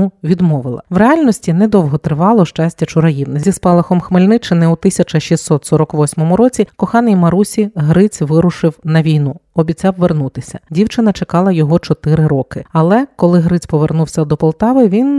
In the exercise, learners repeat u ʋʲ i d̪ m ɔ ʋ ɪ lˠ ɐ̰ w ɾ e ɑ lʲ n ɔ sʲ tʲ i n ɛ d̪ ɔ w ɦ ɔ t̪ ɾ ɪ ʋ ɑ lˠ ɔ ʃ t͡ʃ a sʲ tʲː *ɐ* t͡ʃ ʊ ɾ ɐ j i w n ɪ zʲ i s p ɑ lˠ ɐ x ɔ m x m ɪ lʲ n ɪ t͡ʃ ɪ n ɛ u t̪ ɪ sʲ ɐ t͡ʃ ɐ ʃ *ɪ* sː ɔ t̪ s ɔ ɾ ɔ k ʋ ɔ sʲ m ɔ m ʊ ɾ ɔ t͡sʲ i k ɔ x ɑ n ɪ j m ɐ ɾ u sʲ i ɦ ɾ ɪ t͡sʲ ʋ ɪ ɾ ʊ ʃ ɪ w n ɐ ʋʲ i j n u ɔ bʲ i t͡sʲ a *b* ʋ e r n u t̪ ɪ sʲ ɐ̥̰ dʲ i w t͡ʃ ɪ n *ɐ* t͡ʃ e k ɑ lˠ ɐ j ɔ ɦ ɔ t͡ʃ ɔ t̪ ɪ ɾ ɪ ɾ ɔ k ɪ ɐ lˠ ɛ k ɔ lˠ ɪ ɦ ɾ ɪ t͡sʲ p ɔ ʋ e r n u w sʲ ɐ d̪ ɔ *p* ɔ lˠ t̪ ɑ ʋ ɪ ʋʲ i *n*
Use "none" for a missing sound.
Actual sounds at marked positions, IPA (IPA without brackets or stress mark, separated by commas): ɐ, i, w, ɐ, p, n